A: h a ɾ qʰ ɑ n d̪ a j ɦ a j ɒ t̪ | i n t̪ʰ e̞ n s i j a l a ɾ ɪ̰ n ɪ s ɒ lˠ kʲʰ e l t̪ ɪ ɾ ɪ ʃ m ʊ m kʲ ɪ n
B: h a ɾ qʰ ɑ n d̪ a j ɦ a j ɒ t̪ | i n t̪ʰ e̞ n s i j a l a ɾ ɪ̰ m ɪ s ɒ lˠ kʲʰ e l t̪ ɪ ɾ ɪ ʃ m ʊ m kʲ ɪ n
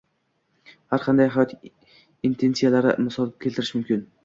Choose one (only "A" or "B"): B